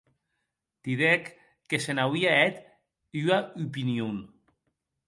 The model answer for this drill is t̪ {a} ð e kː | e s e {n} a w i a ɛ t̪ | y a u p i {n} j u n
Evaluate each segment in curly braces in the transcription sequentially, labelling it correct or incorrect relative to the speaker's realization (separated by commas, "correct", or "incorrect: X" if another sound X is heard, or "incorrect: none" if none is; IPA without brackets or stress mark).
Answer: incorrect: i, correct, correct